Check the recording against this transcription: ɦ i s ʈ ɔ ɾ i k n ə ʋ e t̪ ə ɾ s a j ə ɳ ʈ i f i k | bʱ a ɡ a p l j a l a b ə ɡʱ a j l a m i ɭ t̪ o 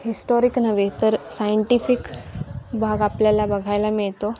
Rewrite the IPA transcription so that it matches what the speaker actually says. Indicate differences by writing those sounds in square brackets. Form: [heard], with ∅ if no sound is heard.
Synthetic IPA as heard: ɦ i s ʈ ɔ ɾ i k n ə ʋ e t̪ ə ɾ s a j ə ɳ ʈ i f i k | bʱ a ɡ a p l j a l a b ə ɡʱ a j l a m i ɭ t̪ o